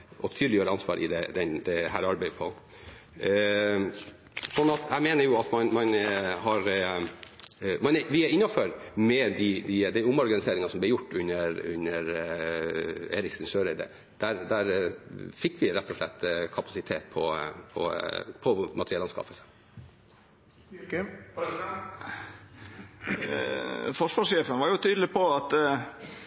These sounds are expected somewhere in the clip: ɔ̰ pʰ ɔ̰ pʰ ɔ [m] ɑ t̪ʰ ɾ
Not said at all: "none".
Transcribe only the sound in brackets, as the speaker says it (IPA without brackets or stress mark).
m